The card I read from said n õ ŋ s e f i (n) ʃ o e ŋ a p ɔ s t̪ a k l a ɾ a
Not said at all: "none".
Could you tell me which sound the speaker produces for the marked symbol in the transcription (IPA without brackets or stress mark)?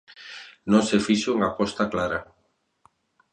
none